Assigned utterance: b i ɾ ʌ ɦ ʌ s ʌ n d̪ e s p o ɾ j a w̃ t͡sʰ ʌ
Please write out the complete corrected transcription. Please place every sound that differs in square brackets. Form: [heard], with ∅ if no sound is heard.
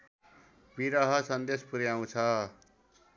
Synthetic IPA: b i ɾ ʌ ɦ ʌ s ʌ n d̪ e s p [u] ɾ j a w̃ t͡sʰ ʌ